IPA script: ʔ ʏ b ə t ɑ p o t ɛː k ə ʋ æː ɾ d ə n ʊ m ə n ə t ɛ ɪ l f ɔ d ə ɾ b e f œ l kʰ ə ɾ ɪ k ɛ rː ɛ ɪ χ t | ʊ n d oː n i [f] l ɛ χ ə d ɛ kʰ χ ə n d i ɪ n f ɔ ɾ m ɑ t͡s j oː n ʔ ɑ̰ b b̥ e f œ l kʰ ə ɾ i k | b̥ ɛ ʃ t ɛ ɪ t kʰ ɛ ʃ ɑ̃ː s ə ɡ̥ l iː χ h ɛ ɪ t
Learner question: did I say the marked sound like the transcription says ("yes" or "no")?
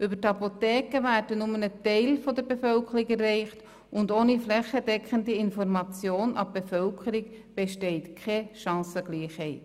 yes